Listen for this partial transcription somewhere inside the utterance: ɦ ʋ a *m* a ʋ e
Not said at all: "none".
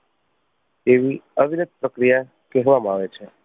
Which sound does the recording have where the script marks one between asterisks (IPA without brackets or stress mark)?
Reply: m